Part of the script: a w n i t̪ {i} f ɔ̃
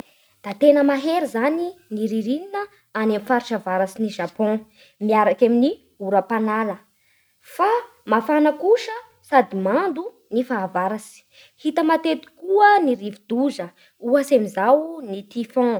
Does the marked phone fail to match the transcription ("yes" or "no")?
no